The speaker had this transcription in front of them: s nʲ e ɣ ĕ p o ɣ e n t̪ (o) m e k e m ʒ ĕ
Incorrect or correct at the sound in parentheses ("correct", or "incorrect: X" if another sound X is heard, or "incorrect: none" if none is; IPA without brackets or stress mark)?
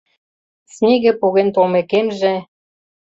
correct